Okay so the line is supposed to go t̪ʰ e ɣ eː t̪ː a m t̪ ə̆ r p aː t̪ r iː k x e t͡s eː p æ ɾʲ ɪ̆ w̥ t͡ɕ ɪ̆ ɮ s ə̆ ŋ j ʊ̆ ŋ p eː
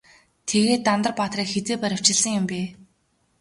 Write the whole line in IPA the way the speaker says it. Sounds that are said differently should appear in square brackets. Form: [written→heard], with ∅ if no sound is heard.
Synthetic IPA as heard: t̪ʰ e ɣ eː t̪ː a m t̪ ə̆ r p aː t̪ r iː k x e t͡s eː p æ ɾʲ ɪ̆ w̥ t͡ɕ ɪ̆ ɮ s ə̆ ŋ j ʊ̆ [ŋ→m] p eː